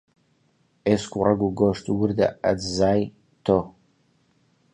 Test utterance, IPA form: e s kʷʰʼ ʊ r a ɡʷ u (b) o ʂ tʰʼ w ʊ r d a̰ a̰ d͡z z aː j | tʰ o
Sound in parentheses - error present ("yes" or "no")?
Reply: yes